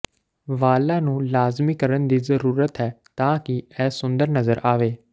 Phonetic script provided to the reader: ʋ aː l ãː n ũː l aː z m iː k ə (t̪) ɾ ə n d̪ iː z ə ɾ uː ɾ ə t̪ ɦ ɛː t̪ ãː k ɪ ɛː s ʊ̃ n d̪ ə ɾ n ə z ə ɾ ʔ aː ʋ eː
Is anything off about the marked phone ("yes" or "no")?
yes